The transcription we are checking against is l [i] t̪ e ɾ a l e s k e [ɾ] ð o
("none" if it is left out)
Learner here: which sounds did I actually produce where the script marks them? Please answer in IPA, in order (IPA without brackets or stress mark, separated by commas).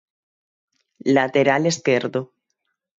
a, ɾ